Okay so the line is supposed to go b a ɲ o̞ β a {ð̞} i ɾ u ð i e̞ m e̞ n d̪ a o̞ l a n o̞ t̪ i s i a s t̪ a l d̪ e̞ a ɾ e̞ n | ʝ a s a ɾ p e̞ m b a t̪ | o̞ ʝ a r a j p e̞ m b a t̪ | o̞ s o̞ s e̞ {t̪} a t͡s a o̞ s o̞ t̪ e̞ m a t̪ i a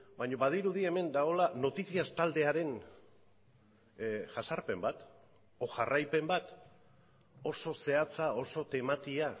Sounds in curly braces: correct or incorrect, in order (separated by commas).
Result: correct, incorrect